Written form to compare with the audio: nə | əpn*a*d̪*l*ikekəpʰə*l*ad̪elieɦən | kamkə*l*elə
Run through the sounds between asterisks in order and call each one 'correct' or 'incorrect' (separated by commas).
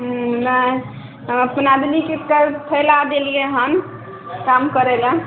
correct, correct, correct, incorrect